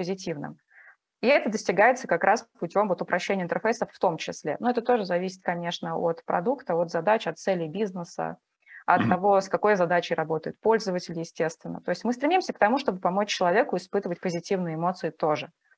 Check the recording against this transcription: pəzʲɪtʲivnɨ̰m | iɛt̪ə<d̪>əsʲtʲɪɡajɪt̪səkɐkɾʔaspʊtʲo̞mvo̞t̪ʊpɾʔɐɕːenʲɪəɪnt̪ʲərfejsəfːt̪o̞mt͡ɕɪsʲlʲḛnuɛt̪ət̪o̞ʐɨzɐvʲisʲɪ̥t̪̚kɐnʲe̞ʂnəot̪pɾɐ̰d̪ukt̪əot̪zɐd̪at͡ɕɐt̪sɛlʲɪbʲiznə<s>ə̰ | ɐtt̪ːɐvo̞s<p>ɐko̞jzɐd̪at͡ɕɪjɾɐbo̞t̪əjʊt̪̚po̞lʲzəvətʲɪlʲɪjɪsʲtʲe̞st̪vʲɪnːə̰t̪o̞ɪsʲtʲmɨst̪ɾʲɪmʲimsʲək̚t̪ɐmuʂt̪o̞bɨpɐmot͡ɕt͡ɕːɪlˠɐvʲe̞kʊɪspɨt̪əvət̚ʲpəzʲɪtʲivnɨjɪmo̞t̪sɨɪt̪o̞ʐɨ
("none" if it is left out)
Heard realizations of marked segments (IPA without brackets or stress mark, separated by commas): d̪, s, k